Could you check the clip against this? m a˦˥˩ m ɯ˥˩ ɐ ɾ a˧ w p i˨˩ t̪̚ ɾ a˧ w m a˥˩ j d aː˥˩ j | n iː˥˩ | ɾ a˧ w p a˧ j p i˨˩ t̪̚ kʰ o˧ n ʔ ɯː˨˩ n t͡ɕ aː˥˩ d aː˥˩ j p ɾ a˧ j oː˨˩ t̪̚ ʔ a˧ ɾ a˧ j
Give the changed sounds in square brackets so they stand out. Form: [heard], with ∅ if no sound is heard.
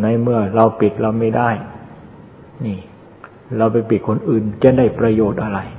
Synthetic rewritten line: [n] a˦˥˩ m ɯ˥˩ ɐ ɾ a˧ w p i˨˩ t̪̚ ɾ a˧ w m a˥˩ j d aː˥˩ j | n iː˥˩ | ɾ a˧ w p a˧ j p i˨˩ t̪̚ kʰ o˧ n ʔ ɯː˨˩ n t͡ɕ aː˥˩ d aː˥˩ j p ɾ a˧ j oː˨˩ t̪̚ ʔ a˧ ɾ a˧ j